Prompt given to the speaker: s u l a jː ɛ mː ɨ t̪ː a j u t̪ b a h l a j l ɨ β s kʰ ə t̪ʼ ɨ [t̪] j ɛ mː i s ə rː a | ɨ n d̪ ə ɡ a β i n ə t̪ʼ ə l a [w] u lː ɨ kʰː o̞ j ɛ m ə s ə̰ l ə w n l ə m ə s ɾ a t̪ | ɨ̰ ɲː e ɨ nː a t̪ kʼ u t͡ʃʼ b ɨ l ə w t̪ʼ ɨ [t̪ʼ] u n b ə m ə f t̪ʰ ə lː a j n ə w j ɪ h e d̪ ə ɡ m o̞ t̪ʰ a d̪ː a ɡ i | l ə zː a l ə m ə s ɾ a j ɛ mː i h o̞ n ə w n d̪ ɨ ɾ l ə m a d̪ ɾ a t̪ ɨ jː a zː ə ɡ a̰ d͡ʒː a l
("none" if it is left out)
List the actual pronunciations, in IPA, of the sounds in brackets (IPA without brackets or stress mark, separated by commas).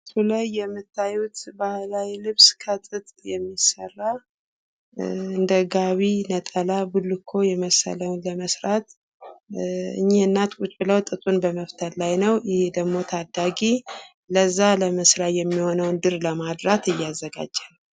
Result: t̪ʼ, b, t̪ʼ